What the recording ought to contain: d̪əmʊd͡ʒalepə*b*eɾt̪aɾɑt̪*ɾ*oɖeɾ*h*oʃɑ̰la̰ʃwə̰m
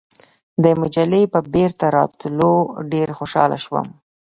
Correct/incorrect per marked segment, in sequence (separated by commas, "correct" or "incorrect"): correct, incorrect, incorrect